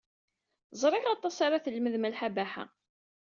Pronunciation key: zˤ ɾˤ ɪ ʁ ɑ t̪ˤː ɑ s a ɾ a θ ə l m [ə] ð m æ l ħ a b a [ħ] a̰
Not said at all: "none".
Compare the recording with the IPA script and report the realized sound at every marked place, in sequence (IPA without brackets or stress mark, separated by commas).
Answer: ə, ħ